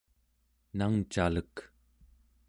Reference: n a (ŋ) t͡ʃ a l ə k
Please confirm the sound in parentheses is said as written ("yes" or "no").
yes